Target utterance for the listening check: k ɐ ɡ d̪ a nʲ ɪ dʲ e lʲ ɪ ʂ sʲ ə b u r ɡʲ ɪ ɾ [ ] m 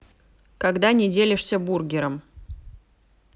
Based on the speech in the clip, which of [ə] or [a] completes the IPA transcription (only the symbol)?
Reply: ə